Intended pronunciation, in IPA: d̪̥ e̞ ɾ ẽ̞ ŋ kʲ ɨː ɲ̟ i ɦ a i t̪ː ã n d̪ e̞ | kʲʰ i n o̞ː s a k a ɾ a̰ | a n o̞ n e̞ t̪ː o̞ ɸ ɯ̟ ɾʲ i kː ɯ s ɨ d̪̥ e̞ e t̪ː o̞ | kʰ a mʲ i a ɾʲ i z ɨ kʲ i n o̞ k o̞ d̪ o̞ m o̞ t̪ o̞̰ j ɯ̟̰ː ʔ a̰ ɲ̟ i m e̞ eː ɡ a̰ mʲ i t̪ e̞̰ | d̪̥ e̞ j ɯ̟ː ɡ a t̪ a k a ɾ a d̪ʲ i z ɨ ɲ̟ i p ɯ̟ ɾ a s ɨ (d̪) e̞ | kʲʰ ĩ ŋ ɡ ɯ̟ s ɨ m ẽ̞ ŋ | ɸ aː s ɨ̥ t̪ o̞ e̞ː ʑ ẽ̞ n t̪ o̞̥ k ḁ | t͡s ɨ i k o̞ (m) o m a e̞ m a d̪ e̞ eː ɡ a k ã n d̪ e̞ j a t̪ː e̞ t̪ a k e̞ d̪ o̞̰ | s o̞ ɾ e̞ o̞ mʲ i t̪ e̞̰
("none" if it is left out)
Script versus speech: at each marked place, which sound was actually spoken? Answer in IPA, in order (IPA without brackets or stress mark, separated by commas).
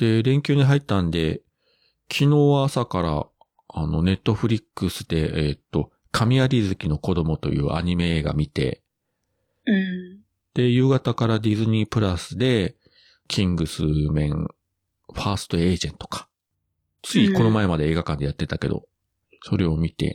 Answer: d̪, n